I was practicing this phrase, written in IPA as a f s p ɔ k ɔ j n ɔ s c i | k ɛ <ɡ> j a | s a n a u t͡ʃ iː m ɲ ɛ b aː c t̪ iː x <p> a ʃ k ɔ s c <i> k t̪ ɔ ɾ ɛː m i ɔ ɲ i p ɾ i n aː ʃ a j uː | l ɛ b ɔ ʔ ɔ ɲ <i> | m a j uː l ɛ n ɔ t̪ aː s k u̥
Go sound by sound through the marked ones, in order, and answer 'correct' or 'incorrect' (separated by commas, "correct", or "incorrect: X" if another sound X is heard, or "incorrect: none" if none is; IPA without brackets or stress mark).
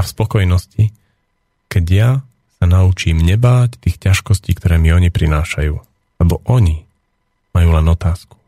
incorrect: ɟ, incorrect: c, incorrect: iː, correct